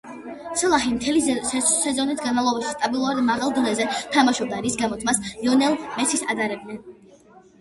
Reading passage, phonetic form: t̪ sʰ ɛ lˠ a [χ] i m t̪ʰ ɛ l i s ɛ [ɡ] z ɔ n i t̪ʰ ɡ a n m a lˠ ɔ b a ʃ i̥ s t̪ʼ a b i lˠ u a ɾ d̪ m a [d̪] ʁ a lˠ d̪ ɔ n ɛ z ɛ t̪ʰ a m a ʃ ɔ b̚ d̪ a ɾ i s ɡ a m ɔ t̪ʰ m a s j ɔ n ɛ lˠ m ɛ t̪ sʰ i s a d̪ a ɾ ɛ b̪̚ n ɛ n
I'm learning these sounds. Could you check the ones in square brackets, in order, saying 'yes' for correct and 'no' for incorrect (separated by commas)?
yes, no, no